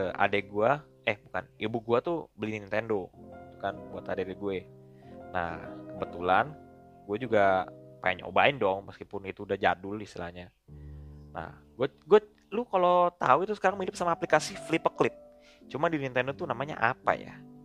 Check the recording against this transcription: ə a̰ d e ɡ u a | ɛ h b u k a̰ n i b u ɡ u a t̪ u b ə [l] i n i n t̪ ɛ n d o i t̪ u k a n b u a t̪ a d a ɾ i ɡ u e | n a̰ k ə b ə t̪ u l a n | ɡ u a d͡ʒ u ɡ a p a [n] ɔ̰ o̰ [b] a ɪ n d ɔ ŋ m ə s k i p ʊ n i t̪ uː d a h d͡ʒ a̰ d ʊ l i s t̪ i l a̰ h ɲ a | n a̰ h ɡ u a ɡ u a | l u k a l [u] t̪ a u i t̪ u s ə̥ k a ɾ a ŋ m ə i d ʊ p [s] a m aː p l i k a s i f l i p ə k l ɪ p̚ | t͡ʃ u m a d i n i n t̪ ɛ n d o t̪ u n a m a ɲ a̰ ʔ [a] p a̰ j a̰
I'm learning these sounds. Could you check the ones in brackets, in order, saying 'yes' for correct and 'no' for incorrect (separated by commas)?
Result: yes, no, yes, no, yes, yes